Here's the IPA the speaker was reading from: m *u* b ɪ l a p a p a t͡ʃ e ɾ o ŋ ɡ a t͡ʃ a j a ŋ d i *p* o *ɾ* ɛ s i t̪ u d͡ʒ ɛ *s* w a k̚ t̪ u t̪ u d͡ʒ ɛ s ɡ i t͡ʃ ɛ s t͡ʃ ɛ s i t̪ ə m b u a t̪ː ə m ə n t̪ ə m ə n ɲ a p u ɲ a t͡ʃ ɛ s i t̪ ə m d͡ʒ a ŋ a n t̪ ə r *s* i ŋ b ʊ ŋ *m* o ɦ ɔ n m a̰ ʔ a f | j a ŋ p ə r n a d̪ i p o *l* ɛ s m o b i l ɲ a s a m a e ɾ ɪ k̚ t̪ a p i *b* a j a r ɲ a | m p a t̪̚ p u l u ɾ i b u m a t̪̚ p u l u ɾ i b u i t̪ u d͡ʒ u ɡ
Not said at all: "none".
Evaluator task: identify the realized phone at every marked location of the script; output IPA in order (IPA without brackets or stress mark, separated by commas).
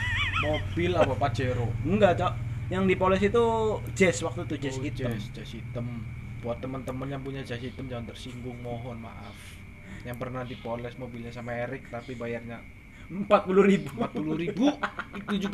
o, p, l, s, s, m, l, b